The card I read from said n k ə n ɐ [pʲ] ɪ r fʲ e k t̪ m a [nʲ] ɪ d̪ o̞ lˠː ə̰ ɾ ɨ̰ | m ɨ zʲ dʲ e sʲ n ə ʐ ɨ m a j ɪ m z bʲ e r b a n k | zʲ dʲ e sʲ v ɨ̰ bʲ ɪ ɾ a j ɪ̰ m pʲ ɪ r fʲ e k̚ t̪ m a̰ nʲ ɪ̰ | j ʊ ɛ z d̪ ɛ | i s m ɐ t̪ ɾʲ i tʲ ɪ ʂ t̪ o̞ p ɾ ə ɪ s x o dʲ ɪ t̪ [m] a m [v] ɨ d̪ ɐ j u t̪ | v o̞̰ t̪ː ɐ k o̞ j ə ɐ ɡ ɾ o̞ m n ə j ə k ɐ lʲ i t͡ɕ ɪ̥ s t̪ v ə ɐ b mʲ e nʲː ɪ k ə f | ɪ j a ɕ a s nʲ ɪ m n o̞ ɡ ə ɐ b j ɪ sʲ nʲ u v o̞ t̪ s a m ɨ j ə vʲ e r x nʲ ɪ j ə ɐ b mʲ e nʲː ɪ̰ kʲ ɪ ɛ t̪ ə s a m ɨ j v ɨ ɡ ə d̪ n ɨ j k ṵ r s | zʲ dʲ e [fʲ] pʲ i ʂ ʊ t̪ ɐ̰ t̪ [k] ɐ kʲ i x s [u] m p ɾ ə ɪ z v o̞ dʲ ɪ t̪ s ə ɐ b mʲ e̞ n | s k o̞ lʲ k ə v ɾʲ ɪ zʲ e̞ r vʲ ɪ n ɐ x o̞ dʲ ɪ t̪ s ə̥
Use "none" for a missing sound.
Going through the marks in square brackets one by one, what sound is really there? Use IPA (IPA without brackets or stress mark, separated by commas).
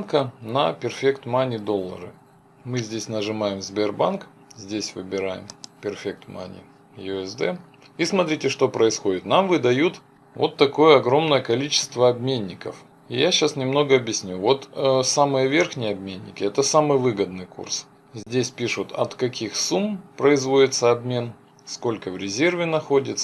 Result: pʲ, nʲ, n, v, sʲ, k, u